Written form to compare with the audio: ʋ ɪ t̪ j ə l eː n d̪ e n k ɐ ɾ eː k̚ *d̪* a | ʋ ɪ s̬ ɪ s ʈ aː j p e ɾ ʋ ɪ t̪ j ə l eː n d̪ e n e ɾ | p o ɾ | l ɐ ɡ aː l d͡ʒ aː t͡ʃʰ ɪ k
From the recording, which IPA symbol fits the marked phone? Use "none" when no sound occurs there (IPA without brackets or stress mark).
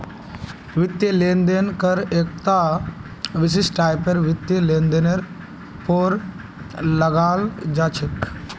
t̪